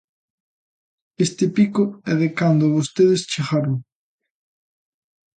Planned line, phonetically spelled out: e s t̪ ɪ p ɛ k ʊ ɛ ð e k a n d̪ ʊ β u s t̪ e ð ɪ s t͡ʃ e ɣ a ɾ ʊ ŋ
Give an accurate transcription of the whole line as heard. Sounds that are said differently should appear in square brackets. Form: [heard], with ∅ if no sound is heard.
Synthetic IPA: e s t̪ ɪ p [i] k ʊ ɛ ð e k a n d̪ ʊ β [o] s t̪ e ð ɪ s t͡ʃ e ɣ a ɾ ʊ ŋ

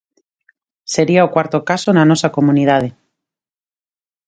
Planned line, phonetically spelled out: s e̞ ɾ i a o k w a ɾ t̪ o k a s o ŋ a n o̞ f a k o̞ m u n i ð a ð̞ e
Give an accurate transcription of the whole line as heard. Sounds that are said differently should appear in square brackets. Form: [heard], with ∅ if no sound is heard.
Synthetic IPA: s e̞ ɾ i a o k w a ɾ t̪ o k a s o [n] a n o̞ [s] a k o̞ m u n i ð a ð̞ e

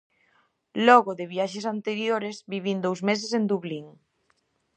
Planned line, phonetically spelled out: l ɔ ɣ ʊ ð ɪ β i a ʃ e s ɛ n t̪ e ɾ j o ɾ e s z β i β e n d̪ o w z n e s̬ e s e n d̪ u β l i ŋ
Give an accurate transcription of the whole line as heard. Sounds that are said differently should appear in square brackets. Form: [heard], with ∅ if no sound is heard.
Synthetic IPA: l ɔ ɣ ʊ ð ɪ β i a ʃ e s [a] n t̪ e ɾ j o ɾ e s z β i β [i] n d̪ o w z [m] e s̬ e s e n d̪ u β l i ŋ

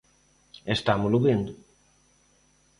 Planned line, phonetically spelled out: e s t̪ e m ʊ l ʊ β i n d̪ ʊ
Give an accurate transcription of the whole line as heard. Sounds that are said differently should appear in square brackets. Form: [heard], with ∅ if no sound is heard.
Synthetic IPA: e s t̪ [a] m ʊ l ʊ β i n d̪ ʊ

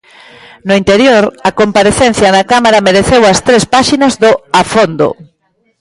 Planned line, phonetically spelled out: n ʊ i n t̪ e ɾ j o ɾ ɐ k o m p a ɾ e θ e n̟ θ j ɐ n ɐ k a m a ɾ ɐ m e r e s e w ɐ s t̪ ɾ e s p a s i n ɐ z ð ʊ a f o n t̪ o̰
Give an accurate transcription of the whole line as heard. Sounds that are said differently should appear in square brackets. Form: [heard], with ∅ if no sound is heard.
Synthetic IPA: n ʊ i n t̪ e ɾ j o ɾ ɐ k o m p a ɾ e θ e n̟ θ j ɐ n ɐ k a m a ɾ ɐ m e [ɾ] e [θ] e w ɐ s t̪ ɾ e s p a [ʃ] i n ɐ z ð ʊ a f o n [d̪] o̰

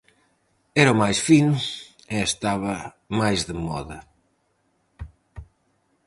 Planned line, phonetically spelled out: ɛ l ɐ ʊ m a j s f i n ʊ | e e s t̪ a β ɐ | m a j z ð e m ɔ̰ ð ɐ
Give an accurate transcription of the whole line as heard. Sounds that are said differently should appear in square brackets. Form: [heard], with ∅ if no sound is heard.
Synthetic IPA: ɛ [ɾ] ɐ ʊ m a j s f i n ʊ | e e s t̪ a β ɐ | m a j z ð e m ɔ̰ ð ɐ

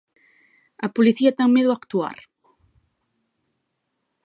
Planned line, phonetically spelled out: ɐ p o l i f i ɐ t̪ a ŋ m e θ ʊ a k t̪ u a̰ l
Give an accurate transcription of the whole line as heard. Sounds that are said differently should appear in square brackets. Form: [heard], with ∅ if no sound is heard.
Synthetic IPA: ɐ p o l i [θ] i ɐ t̪ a ŋ m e [ð] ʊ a k t̪ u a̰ [ɾ]

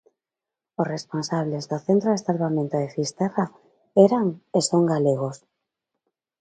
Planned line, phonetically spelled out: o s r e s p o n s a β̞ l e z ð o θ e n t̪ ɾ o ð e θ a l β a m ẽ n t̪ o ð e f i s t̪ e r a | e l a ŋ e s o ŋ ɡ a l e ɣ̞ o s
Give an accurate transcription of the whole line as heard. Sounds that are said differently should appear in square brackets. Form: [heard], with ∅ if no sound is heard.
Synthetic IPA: o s r e s p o n s a β̞ l e z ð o θ e n t̪ ɾ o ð e [s] a l β a m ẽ n t̪ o ð e f i s t̪ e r a | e [ɾ] a ŋ e s o ŋ ɡ a l e ɣ̞ o s

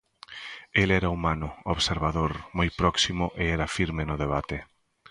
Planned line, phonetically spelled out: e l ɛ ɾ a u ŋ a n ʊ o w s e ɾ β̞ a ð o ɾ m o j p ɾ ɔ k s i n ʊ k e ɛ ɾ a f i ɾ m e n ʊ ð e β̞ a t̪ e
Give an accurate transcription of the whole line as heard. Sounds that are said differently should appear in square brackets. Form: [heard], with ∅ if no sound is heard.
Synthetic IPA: e l ɛ ɾ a u [m] a n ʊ o [β] s e ɾ β̞ a ð o ɾ m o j p ɾ ɔ k s i [m] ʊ [ʔ] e ɛ ɾ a f i ɾ m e n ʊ ð e β̞ a t̪ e

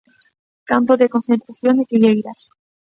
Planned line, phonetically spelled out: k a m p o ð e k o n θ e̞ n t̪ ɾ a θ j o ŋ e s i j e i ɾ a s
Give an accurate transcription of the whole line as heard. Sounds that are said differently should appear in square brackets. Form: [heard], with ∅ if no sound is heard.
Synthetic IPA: k a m p o ð e k o n θ e̞ n t̪ ɾ a θ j o [n] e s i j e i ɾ a s

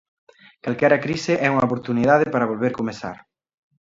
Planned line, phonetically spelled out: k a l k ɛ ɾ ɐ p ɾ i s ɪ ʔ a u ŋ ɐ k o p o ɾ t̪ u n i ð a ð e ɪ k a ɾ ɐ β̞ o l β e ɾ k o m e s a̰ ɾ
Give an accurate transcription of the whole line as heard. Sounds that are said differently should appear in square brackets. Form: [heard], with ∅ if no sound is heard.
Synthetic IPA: k a l k ɛ ɾ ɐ [k] ɾ i s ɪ ʔ [ɛ] u ŋ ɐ [∅] o p o ɾ t̪ u n i ð a ð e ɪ [p] a ɾ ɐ β̞ o l β e ɾ k o m e s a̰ ɾ

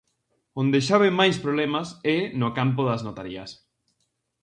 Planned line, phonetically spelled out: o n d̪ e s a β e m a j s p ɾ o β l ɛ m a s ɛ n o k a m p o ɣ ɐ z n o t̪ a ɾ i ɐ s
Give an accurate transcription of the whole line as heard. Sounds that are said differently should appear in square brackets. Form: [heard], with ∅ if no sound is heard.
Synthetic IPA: o n d̪ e [ʃ] a β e m a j s p ɾ o β l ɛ m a s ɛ n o k a m p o [ð] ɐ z n o t̪ a ɾ i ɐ s

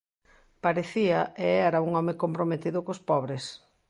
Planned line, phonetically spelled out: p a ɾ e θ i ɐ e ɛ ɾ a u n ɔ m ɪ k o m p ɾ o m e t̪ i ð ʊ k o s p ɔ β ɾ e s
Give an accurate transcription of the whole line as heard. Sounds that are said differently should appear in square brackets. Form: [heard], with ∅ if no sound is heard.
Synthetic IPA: p a ɾ e θ i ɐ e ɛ ɾ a u [ŋ] ɔ m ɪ k o m p ɾ o m e t̪ i ð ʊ k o s p ɔ β ɾ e s

